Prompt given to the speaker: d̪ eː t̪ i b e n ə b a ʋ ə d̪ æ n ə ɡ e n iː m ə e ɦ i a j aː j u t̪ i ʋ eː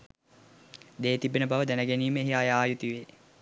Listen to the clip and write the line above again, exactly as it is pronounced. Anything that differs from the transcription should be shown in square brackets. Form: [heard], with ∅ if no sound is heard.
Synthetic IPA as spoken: d̪ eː t̪ i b e n ə b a ʋ ə d̪ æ n ə ɡ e n iː m ə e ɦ i a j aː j u t̪ i ʋ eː